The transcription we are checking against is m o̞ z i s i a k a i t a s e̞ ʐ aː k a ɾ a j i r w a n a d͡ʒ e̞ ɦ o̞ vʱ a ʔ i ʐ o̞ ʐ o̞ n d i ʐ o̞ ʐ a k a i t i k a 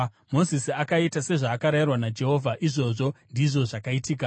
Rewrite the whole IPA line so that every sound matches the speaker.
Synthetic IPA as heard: m o̞ z i s i a k a i t a s e̞ ʐ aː k a ɾ a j i r w a n a d͡ʒ e̞ ɦ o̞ vʱ a ʔ i ʐ o̞ ʐ o̞ n d i ʐ o̞ ʐ a k a i t iː k a